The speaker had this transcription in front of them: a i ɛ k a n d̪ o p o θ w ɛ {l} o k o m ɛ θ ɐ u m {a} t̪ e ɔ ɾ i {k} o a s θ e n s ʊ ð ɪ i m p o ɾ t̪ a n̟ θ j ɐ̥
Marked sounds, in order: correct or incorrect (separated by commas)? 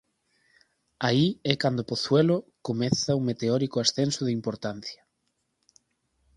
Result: correct, incorrect, correct